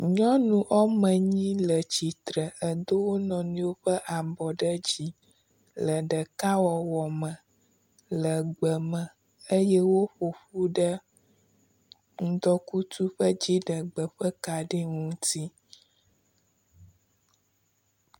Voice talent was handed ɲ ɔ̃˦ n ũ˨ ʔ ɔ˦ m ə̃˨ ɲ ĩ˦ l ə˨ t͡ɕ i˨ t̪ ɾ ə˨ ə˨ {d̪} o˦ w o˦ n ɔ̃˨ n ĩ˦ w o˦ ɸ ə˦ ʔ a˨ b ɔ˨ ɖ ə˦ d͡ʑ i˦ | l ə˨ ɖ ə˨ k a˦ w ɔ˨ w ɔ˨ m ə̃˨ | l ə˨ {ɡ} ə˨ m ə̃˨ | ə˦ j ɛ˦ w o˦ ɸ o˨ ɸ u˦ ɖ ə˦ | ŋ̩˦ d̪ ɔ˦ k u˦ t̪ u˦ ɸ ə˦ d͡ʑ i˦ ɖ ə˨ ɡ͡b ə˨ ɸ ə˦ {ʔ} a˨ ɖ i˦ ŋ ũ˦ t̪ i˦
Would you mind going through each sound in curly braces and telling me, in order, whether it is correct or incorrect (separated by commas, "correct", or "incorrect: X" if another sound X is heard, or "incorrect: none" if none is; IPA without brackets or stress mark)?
correct, incorrect: ɡ͡b, incorrect: k